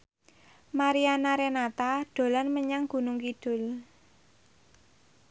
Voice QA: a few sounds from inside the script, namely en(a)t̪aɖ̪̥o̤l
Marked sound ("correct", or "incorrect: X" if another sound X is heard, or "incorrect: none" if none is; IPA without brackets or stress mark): correct